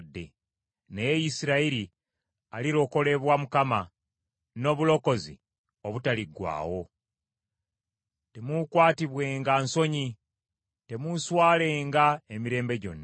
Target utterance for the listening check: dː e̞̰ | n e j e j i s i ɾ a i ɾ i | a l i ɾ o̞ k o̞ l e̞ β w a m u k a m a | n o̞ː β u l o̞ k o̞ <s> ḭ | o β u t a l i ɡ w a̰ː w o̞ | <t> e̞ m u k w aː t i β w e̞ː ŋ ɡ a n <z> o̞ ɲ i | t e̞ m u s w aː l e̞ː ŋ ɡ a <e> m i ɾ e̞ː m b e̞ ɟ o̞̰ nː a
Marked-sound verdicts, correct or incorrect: incorrect: z, correct, incorrect: s, correct

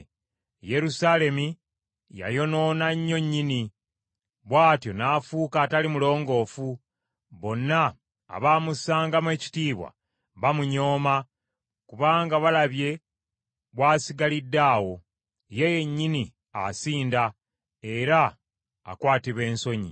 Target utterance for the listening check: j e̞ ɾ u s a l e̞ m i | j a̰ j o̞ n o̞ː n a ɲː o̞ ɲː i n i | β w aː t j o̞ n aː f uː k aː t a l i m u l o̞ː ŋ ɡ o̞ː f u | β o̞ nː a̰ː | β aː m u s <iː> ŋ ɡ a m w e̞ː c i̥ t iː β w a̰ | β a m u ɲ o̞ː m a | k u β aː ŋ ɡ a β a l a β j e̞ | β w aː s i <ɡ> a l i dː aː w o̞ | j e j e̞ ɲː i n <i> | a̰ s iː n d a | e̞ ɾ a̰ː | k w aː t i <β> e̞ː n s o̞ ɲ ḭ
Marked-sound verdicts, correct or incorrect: incorrect: aː, correct, correct, correct

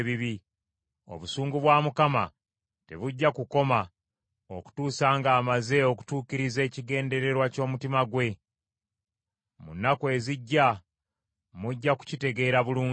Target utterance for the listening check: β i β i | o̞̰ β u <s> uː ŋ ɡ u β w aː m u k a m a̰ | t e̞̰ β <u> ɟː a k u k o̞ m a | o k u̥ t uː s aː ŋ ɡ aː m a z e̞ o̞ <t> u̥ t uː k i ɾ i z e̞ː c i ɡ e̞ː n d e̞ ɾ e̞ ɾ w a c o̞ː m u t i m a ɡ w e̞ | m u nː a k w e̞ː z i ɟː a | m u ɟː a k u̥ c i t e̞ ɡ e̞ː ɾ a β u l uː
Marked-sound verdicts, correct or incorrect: correct, correct, incorrect: k

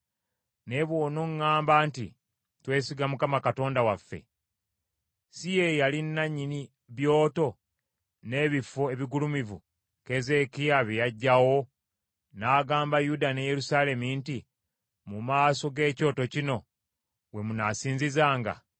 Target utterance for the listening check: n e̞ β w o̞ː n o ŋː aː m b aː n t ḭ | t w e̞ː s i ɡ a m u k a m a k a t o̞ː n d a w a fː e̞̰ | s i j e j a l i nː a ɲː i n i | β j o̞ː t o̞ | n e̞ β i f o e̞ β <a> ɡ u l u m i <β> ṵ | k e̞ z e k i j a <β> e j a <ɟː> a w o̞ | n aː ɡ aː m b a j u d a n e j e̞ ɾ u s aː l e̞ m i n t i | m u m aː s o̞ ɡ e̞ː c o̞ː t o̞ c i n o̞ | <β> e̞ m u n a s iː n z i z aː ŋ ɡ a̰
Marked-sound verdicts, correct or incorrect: incorrect: i, incorrect: v, correct, correct, incorrect: w

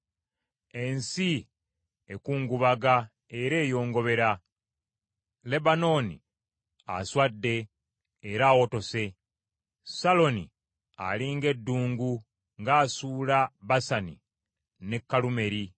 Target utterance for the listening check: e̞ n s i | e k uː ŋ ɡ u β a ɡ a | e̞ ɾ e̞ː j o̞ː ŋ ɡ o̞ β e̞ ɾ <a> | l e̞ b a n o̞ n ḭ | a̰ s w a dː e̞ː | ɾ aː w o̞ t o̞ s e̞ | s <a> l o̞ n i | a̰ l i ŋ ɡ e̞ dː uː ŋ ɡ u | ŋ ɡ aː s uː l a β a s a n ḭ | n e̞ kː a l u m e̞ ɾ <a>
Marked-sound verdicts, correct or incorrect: correct, correct, incorrect: i

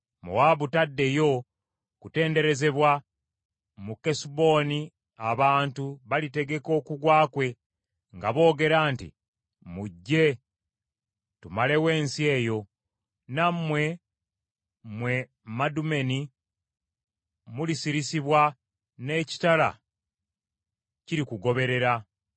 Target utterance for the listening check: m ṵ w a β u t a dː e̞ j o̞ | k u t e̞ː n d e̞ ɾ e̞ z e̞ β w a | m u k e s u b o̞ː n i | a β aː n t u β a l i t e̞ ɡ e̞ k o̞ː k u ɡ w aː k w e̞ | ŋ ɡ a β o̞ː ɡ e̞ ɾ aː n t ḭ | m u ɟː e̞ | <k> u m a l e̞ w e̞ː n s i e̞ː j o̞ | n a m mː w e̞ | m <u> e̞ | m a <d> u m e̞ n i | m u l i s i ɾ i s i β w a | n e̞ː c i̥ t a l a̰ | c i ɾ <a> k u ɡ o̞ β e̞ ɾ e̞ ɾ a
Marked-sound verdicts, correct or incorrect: incorrect: t, incorrect: w, correct, incorrect: i

